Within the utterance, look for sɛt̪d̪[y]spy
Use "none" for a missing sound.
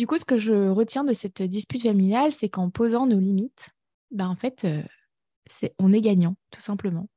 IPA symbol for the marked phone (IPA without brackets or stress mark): i